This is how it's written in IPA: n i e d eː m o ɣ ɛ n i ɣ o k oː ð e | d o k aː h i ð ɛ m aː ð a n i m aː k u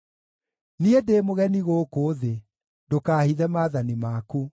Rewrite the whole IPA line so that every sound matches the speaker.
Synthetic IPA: n i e d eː m o ɣ ɛ n i ɣ o k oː ð e | d o k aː h i ð ɛ m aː ð a n i m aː k u